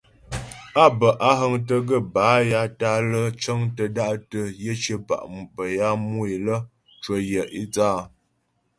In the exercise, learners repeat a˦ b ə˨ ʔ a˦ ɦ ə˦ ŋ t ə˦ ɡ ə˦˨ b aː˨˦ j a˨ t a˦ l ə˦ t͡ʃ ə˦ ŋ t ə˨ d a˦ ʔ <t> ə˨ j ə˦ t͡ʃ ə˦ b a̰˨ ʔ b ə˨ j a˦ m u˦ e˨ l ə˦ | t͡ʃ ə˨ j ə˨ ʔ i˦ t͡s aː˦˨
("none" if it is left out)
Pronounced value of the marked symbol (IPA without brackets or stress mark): t